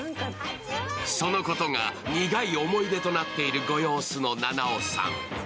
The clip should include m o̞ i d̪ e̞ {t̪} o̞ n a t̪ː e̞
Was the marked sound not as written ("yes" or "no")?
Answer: no